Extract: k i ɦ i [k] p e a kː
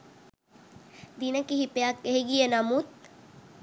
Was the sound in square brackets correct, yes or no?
no